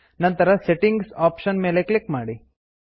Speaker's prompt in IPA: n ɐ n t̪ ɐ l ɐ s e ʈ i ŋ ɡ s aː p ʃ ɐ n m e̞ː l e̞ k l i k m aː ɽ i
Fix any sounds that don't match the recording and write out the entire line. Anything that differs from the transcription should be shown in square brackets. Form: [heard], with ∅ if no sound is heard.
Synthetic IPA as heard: n ɐ n t̪ ɐ [ɾ] ɐ s e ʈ i ŋ ɡ s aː p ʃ ɐ n m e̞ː l e̞ k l i k m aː ɽ i